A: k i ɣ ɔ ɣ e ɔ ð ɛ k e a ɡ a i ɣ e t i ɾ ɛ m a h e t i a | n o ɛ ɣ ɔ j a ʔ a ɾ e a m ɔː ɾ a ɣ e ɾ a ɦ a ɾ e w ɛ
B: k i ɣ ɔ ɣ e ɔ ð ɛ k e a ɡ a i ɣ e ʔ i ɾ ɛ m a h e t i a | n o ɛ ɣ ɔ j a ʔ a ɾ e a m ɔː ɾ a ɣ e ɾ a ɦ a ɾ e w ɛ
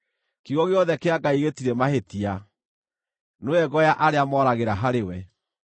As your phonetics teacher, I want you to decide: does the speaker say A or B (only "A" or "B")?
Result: A